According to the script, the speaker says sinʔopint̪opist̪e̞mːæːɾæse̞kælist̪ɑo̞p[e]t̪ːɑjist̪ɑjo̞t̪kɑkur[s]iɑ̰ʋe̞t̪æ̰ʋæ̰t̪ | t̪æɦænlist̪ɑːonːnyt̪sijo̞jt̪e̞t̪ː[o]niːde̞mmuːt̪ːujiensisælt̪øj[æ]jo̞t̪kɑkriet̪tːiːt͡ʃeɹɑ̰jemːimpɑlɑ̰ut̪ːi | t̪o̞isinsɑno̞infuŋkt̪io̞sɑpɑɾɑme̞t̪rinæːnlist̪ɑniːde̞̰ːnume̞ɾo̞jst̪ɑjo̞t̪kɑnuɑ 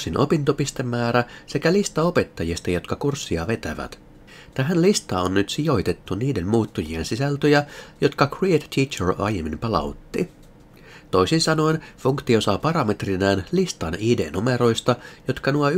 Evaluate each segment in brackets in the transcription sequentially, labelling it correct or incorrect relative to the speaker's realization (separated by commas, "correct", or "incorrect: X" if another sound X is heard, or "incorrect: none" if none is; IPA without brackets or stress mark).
correct, incorrect: sː, incorrect: u, correct